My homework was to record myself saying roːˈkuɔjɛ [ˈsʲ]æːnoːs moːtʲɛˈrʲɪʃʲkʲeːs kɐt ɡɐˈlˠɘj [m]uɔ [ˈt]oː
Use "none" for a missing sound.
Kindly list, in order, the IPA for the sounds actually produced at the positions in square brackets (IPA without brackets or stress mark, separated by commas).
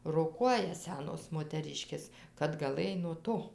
sʲ, n, t